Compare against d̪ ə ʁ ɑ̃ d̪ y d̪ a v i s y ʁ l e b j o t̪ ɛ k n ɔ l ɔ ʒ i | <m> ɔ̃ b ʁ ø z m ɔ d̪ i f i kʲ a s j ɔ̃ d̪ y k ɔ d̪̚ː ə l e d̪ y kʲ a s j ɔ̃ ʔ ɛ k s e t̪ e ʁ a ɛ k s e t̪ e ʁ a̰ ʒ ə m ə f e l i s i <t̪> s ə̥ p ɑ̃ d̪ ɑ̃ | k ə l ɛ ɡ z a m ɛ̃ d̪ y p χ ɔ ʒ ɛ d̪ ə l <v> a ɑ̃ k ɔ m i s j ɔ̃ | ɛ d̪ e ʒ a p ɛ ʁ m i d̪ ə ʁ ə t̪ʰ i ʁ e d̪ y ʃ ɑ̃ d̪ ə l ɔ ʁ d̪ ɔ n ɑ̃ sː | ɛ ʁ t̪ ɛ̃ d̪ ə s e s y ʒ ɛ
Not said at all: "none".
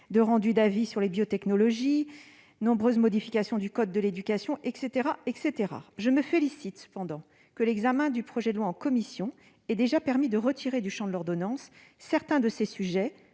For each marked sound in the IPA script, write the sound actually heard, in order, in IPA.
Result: n, t̪, w

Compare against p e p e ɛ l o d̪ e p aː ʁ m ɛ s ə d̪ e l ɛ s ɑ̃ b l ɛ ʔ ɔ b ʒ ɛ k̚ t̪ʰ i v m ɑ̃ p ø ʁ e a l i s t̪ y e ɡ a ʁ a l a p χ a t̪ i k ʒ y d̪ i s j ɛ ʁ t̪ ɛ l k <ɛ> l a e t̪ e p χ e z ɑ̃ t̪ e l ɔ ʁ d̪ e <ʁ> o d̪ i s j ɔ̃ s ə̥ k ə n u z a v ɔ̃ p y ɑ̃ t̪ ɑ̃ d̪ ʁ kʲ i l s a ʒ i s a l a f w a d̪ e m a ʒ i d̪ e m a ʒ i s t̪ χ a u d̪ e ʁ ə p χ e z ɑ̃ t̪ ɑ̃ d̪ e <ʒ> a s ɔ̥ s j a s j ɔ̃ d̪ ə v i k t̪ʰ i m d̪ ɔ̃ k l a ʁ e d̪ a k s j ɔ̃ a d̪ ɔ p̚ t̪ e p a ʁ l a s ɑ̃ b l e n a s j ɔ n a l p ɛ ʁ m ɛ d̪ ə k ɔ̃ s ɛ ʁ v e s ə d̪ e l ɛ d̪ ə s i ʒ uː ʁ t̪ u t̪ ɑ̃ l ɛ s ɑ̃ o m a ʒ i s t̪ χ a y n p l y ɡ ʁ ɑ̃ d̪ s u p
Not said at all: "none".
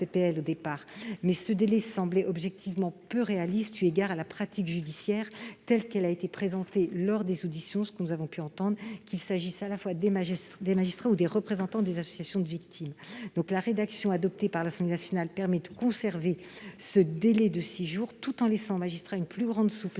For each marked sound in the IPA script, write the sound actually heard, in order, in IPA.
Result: ɛ, z, z

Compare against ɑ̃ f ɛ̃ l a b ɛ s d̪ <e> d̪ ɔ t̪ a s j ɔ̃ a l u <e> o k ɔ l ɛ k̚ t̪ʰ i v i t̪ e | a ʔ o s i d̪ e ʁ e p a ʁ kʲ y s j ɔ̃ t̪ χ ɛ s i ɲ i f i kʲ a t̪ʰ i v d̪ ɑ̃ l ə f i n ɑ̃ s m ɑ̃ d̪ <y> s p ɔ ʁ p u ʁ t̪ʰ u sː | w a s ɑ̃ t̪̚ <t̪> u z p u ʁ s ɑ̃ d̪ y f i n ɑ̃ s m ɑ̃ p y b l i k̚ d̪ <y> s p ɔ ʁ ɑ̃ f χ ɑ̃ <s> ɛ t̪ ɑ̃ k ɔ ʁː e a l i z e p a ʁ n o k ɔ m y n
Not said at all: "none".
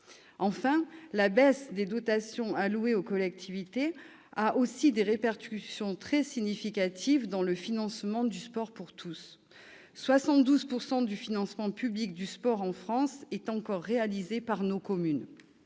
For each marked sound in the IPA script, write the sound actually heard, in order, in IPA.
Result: e, e, y, d̪, y, s

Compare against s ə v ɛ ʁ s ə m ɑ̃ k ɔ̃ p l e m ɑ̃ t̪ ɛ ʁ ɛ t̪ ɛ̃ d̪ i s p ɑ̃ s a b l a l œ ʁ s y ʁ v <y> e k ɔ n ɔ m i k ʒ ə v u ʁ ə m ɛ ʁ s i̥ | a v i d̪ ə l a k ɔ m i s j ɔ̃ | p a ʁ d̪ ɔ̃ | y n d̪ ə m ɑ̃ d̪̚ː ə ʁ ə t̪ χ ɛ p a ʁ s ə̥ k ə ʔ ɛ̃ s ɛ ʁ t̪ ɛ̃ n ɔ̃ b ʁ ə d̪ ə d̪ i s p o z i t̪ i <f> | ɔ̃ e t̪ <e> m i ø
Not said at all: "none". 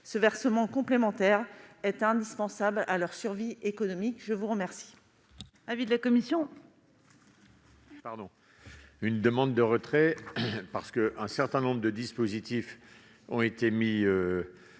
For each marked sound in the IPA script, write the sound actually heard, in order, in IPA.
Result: i, f, e

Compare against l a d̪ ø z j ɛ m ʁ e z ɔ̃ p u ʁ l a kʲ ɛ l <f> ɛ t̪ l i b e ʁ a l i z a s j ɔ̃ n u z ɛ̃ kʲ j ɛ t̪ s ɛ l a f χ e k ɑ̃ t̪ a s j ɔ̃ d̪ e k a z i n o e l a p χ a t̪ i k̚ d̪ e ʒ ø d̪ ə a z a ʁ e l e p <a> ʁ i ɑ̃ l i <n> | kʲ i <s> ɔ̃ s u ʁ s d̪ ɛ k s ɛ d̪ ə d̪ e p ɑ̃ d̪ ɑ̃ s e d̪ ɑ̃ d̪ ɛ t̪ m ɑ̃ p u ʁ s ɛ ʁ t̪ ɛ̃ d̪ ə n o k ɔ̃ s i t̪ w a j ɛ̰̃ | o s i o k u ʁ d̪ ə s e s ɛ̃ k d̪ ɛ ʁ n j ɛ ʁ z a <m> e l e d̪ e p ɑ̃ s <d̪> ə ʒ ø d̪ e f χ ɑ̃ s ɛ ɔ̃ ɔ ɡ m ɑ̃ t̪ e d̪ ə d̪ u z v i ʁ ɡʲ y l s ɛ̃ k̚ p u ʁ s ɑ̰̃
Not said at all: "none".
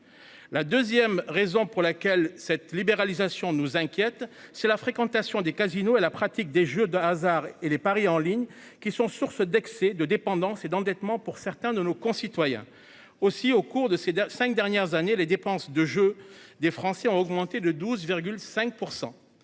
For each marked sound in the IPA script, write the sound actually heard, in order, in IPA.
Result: s, a, ɲ, s, n, d̪

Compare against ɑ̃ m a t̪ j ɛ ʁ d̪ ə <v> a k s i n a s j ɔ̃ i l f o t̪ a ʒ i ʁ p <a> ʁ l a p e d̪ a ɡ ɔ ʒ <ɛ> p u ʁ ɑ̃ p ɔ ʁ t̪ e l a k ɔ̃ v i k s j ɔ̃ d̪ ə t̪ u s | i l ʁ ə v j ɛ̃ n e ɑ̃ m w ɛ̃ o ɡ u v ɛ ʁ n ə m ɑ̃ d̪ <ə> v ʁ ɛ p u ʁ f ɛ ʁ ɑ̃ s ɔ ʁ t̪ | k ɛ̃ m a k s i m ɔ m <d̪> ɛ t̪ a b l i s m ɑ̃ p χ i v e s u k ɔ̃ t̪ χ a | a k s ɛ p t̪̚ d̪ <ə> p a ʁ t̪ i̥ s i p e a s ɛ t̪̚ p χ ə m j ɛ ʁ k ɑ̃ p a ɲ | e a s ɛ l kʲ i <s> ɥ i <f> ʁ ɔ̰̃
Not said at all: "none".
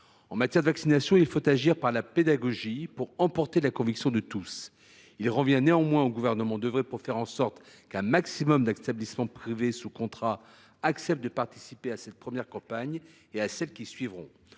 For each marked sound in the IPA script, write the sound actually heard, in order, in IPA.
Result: v, a, i, ə, d̪, ə, s, v

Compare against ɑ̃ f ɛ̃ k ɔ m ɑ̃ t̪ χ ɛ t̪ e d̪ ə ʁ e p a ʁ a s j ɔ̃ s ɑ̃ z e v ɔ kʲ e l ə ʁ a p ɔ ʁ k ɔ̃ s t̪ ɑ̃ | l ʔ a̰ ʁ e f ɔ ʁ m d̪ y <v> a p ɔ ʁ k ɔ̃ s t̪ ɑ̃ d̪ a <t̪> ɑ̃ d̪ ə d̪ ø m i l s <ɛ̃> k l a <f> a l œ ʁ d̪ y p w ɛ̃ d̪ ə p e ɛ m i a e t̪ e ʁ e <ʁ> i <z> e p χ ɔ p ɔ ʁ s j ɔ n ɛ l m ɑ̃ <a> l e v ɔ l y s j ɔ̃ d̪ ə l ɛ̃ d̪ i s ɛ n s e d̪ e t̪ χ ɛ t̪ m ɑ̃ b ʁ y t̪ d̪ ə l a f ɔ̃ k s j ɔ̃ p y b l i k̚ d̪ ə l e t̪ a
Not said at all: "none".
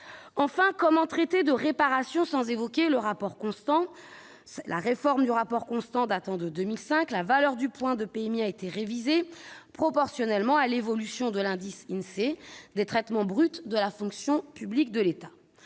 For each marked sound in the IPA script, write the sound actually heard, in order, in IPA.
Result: ʁ, t̪, ɛ̃, v, v, z, a

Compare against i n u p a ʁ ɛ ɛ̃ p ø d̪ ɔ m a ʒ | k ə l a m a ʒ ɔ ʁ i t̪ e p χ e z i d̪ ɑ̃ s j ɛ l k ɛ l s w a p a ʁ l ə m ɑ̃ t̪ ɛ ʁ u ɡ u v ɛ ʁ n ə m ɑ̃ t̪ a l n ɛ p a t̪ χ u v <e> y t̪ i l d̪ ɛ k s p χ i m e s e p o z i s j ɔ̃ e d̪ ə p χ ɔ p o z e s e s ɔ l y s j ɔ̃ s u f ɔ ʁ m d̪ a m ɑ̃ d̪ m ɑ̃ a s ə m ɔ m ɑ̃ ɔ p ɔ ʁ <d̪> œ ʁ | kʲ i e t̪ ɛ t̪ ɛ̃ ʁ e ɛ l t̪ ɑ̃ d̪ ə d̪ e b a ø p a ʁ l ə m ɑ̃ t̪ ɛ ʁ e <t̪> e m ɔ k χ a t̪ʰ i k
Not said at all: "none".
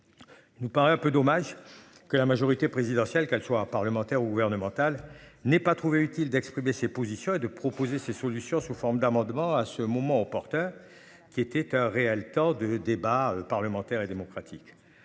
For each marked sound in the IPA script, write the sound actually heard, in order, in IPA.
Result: e, t̪, d̪

